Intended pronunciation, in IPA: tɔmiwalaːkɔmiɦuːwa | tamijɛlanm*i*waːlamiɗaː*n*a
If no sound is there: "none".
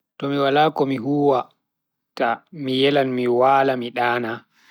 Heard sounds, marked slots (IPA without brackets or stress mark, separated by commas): i, n